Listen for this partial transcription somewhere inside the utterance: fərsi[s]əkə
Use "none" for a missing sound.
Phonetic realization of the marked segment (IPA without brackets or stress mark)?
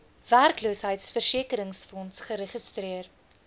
none